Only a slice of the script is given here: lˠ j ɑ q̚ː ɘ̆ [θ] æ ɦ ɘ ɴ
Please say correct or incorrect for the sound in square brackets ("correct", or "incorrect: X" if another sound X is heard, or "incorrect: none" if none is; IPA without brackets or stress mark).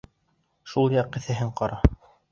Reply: correct